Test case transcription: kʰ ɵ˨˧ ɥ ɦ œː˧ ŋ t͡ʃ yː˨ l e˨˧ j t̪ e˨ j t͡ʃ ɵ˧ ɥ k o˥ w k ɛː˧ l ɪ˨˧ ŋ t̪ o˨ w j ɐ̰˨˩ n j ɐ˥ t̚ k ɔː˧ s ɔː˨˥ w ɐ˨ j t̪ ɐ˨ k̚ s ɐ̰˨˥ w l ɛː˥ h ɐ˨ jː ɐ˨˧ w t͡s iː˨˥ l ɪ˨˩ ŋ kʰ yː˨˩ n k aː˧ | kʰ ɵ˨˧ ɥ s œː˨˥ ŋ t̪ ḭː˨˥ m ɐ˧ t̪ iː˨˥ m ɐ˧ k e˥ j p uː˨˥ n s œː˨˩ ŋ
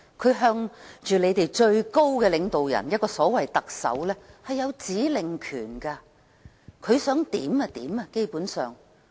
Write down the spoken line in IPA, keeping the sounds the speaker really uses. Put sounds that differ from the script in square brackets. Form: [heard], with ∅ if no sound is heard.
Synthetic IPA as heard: kʰ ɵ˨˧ ɥ ɦ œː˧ ŋ t͡ʃ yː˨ l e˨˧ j t̪ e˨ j t͡ʃ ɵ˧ ɥ k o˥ w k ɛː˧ l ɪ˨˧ ŋ t̪ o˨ w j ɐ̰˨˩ n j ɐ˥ t̚ k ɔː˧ s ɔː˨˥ w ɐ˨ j t̪ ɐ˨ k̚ s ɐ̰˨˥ w l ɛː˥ h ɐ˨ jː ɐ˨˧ w t͡s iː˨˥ l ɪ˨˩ ŋ kʰ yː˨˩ n k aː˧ | kʰ ɵ˨˧ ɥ s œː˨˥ ŋ t̪ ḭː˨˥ m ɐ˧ t̪ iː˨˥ m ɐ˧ k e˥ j p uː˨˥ n s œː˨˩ ŋ